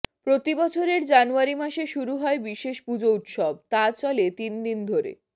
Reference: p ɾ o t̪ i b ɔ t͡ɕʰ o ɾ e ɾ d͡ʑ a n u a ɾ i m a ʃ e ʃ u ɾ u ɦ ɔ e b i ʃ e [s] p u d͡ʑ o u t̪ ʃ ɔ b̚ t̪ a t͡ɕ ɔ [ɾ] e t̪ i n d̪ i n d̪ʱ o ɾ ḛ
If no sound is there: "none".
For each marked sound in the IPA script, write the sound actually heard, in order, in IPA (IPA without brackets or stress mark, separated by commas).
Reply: ʃ, l